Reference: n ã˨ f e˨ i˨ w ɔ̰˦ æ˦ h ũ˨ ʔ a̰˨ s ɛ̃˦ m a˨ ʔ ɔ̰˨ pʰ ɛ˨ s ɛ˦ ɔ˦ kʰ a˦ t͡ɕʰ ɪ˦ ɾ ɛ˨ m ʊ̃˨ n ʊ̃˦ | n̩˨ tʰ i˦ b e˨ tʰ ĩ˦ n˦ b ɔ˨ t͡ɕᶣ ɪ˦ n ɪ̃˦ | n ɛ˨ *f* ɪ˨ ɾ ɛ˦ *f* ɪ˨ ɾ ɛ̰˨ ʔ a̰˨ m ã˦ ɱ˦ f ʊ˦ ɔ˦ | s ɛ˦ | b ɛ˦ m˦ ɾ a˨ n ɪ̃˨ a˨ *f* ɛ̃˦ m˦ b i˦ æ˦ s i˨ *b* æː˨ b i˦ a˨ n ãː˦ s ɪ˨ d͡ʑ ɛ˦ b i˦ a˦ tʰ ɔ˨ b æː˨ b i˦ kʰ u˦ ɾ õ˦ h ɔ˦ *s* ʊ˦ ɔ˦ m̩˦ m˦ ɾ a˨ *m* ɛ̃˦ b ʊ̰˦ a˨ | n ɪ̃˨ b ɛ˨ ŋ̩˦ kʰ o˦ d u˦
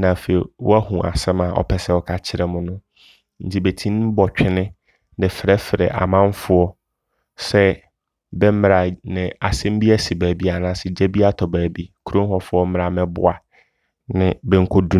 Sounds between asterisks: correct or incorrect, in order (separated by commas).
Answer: correct, correct, incorrect, correct, incorrect, correct